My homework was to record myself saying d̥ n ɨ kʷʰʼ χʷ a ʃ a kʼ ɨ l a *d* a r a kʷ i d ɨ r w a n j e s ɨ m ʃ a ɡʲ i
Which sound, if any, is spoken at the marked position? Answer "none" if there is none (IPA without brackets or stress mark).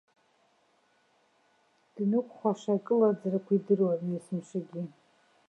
d͡z